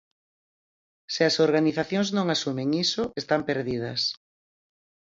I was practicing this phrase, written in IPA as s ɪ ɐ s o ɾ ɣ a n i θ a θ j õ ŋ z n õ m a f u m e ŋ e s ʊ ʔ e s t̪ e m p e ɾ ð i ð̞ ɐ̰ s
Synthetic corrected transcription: s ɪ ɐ s o ɾ ɣ a n i θ a θ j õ ŋ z n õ ŋ a s u m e ŋ i s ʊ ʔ e s t̪ a m p e ɾ ð i ð̞ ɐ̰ s